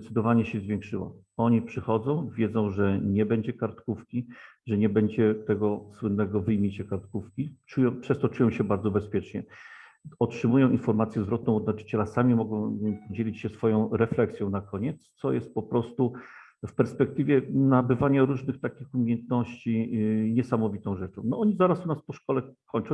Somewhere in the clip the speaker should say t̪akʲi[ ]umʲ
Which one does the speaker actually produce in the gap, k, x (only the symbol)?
x